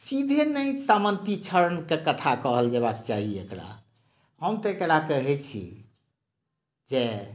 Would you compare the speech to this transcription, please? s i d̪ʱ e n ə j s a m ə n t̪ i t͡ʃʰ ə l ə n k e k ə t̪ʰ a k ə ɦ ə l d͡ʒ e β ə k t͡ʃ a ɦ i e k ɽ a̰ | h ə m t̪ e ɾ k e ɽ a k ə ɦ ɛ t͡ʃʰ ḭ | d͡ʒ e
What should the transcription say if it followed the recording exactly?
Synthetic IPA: s i d̪ʱ e n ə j s a m ə n t̪ i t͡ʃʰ ə ɾ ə n k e k ə t̪ʰ a k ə ɦ ə l d͡ʒ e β a k t͡ʃ a ɦ i e k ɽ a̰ | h ə m t̪ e k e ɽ a k ə ɦ ɛ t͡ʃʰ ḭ | d͡ʒ e